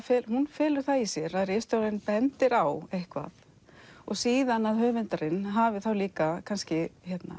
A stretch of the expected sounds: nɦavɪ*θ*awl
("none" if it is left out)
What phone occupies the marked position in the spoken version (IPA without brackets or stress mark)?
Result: θ